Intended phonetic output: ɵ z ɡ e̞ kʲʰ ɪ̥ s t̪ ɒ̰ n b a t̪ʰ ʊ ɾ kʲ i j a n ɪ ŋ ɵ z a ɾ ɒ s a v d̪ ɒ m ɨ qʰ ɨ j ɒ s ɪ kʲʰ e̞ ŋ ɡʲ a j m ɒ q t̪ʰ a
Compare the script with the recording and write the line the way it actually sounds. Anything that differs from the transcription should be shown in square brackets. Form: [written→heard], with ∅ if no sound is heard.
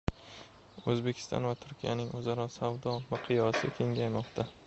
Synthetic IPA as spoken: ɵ z [ɡ→b] e̞ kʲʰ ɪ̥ s t̪ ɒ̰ n [b→v] a t̪ʰ ʊ ɾ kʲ i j a n ɪ ŋ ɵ z a ɾ ɒ s a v d̪ ɒ m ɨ qʰ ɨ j ɒ s ɪ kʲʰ e̞ ŋ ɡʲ a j m ɒ q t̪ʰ a